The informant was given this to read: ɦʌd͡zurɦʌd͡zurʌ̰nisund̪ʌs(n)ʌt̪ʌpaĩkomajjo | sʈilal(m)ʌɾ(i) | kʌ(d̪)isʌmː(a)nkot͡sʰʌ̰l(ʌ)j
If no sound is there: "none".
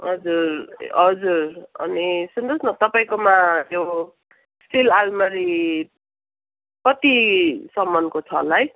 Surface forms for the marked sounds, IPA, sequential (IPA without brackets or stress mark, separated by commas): n, m, i, t̪, ʌ, a